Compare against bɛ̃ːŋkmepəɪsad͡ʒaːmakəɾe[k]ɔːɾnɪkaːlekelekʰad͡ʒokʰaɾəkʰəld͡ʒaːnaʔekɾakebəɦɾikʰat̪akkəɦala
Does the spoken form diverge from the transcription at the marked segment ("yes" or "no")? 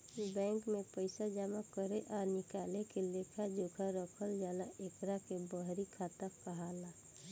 yes